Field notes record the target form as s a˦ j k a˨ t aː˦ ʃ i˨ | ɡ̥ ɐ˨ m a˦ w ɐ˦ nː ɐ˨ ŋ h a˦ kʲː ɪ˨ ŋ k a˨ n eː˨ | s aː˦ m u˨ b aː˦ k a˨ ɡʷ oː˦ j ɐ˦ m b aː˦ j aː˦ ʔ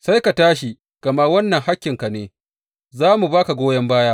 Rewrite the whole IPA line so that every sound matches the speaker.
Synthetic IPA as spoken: s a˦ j k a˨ t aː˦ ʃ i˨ | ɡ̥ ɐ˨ m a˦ w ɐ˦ nː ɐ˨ ŋ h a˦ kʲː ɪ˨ ŋ k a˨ n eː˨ | z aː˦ m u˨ b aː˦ k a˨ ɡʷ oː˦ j ɐ˦ m b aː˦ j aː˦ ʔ